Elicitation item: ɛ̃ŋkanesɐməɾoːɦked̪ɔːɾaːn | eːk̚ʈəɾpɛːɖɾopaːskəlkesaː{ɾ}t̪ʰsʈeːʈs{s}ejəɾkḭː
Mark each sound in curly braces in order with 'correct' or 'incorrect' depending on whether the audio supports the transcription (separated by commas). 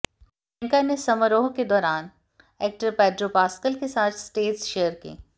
incorrect, incorrect